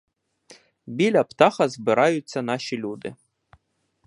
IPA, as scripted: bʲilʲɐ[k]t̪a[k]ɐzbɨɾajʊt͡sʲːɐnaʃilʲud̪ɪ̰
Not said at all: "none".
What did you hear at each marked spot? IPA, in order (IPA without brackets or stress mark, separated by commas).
p, x